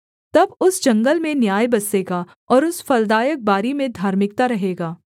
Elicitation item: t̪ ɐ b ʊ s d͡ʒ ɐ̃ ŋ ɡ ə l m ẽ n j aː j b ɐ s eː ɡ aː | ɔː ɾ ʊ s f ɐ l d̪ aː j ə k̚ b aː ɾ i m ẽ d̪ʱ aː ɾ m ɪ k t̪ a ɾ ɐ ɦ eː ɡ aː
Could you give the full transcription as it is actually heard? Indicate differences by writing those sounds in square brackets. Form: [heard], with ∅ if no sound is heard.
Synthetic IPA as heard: t̪ ɐ b ʊ s d͡ʒ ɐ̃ ŋ ɡ ə l m ẽ n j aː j b ɐ s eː ɡ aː | ɔː ɾ ʊ s f ɐ l d̪ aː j ə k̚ b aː ɾ i m ẽ d̪ʱ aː ɾ m ɪ k t̪ a ɾ ɐ ɦ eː ɡ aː